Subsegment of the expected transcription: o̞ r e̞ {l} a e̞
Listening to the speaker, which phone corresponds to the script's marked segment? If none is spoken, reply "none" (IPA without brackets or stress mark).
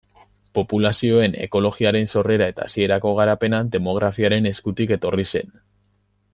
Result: ɾ